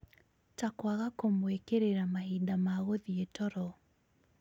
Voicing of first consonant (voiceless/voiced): voiceless